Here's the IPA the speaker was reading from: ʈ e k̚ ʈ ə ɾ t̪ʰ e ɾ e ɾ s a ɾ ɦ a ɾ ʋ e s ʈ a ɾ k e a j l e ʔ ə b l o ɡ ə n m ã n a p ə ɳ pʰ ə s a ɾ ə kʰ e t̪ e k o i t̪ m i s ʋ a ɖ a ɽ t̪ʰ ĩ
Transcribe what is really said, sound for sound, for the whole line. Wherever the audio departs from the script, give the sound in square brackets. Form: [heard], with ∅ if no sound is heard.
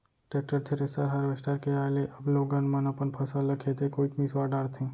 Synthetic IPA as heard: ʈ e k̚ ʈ ə ɾ t̪ʰ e ɾ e [∅] s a ɾ ɦ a ɾ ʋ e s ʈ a ɾ k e a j l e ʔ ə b l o ɡ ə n m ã n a p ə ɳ pʰ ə s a [l] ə kʰ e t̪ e k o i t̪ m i s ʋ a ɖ a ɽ t̪ʰ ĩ